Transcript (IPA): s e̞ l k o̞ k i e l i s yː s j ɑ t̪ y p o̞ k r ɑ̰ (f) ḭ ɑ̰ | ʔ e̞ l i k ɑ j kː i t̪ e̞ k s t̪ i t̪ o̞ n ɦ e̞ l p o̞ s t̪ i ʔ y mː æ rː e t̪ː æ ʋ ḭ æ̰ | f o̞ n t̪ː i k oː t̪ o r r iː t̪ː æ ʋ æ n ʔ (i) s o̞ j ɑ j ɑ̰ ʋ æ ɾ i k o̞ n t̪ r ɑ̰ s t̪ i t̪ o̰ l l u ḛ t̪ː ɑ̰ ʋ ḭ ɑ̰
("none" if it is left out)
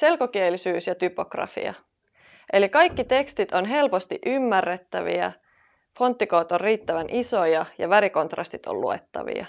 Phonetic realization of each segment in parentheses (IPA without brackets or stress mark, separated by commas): f, i